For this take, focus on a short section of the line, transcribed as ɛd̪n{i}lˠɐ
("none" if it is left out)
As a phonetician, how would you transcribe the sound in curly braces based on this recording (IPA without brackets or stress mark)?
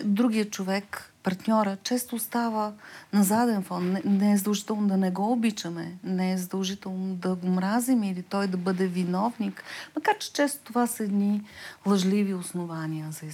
i